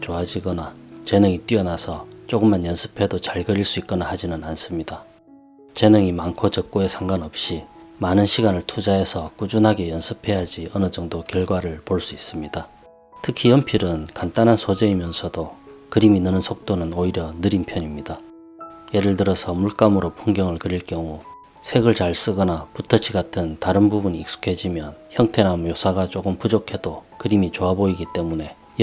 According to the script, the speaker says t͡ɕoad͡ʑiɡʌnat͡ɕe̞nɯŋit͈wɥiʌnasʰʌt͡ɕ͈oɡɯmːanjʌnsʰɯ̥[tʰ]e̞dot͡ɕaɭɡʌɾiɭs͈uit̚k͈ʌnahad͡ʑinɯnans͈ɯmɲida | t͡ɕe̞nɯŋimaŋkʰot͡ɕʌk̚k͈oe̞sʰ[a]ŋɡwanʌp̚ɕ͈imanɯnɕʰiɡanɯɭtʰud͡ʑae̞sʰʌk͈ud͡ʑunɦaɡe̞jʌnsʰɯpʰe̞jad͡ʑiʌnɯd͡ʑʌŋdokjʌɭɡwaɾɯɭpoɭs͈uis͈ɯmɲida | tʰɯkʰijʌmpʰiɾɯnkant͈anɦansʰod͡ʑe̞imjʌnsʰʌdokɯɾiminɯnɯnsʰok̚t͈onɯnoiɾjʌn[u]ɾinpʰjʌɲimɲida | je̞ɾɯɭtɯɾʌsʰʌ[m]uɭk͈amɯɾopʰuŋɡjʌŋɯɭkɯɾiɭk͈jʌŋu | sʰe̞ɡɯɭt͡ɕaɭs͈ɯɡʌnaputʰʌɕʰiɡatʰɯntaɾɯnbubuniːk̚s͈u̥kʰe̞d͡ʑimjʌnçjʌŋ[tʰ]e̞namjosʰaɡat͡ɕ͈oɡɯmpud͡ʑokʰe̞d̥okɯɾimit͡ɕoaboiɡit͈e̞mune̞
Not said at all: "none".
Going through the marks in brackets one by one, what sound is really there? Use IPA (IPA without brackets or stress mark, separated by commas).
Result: pʰ, a, ɯ, m, tʰ